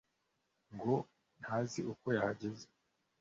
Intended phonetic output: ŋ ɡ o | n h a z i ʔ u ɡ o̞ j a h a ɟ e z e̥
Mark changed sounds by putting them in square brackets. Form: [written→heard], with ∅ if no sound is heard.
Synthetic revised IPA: ŋ ɡ o | n h a z i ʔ u [ɡ→k] o̞ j a h a ɟ e z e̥